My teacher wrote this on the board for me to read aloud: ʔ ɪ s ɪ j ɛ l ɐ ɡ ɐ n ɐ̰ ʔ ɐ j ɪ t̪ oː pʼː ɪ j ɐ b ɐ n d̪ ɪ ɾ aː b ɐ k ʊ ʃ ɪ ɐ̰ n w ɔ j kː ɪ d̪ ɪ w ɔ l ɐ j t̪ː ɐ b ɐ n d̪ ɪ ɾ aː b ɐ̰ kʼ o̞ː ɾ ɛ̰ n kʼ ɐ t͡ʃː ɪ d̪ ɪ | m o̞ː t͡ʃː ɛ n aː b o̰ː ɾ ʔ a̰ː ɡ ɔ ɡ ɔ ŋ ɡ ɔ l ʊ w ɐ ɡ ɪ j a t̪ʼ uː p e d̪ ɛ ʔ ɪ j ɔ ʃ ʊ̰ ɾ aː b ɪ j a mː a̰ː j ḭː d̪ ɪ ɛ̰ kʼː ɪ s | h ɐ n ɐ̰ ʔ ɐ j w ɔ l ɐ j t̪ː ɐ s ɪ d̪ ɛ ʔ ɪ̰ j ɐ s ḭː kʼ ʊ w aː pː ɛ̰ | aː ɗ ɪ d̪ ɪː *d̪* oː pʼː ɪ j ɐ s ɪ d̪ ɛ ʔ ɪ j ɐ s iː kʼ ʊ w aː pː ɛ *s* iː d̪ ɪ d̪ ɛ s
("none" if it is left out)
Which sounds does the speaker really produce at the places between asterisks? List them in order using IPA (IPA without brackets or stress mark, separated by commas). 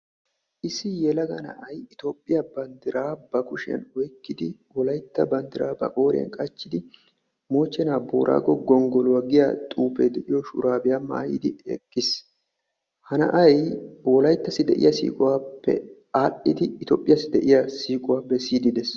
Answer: t̪, s